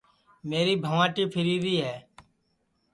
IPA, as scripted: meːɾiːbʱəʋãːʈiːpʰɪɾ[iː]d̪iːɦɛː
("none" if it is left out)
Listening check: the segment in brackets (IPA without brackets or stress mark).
iː